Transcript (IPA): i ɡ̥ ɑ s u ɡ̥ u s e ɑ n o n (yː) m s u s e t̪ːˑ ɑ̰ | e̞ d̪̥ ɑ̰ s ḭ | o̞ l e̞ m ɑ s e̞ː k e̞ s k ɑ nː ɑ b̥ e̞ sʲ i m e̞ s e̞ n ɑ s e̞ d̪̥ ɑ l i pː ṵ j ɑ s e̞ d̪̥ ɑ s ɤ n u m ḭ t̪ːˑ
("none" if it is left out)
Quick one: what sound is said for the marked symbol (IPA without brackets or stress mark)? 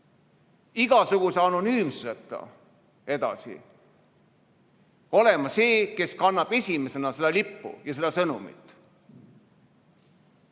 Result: yː